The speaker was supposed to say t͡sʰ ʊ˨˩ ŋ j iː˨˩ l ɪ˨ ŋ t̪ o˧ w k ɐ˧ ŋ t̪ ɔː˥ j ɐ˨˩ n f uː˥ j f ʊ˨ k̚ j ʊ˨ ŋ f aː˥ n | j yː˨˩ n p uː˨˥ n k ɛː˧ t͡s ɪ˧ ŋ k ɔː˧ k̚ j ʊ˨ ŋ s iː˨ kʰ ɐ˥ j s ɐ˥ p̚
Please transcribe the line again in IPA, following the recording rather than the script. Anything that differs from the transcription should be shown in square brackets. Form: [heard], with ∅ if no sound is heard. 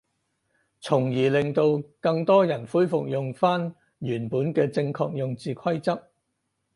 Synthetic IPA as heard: t͡sʰ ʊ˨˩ ŋ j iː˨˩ l ɪ˨ ŋ t̪ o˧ w k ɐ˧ ŋ t̪ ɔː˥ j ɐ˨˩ n f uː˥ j f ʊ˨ k̚ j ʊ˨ ŋ f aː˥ n | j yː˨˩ n p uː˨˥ n k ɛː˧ t͡s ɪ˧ ŋ [kʰ] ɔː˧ k̚ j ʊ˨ ŋ [t͡s] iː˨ kʰ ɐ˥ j [t͡s] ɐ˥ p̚